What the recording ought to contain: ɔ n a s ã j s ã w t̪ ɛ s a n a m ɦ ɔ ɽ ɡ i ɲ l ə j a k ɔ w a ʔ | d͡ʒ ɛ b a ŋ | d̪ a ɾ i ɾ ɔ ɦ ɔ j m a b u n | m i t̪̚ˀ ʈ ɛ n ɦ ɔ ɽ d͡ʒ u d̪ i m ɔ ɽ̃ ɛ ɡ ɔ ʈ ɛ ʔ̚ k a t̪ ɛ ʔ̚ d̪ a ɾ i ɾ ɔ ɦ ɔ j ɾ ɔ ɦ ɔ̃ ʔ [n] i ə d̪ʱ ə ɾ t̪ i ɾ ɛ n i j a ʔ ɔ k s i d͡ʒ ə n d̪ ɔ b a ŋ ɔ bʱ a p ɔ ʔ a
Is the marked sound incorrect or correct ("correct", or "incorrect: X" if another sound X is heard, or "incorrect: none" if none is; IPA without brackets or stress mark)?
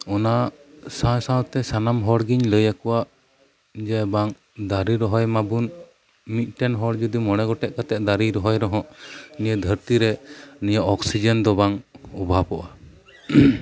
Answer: correct